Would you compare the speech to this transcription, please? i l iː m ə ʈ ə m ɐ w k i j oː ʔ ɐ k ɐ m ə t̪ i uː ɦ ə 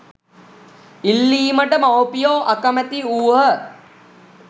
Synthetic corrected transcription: i lː iː m ə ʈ ə m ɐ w p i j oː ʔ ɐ k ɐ m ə t̪ i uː ɦ ə